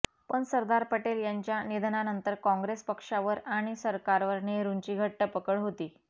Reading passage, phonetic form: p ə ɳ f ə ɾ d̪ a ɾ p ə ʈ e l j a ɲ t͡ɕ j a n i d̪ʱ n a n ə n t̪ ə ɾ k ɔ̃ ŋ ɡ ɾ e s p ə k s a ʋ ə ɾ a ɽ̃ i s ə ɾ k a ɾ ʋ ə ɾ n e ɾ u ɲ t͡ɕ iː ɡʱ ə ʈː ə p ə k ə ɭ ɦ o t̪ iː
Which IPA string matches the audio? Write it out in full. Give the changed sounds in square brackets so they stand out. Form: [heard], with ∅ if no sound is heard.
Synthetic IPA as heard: p ə ɳ [s] ə ɾ d̪ a ɾ p ə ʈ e l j a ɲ t͡ɕ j a n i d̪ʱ n a n ə n t̪ ə ɾ k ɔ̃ ŋ ɡ ɾ e s p ə k [ʂ] a ʋ ə ɾ a ɽ̃ i s ə ɾ k a ɾ ʋ ə ɾ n e ɾ u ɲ t͡ɕ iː ɡʱ ə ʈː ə p ə k ə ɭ ɦ o t̪ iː